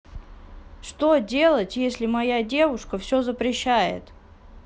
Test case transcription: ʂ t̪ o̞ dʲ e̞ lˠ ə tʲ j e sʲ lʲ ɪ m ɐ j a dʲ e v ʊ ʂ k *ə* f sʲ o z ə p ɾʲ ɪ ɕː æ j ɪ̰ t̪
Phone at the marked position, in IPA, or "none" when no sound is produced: ə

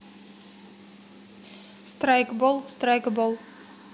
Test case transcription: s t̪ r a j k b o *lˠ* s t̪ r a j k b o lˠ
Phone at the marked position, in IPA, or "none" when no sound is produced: lˠ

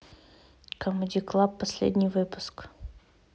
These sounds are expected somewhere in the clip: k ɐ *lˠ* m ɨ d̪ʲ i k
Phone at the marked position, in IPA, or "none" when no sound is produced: none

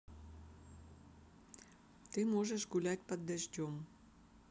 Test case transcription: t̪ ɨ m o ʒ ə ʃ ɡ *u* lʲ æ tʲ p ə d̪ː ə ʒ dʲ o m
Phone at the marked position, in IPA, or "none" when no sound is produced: u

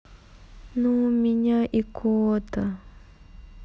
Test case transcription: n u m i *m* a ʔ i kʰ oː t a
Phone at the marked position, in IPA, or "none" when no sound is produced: ɲ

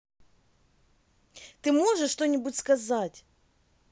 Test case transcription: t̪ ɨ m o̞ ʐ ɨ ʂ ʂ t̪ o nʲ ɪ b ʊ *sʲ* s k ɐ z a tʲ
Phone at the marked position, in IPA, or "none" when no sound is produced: tʲ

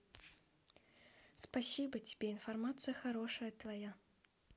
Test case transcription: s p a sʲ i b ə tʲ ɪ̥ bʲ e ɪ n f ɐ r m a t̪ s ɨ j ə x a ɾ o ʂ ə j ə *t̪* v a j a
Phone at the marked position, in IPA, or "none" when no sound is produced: t̪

